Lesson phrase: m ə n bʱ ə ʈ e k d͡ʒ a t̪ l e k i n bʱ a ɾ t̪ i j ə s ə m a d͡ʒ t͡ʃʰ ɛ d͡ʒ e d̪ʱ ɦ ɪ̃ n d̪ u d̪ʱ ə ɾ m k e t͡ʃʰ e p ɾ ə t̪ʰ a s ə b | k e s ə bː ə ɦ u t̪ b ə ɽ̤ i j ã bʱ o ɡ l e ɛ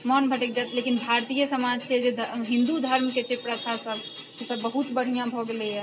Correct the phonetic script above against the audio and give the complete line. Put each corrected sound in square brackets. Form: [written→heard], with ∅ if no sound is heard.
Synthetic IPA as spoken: m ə n bʱ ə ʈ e k d͡ʒ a t̪ l e k i n bʱ a ɾ t̪ i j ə s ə m a d͡ʒ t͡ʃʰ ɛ d͡ʒ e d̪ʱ ɦ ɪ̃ n d̪ u d̪ʱ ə ɾ m k e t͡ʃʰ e p ɾ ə t̪ʰ a s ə b | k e s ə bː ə ɦ u t̪ b ə ɽ̤ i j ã bʱ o ɡ l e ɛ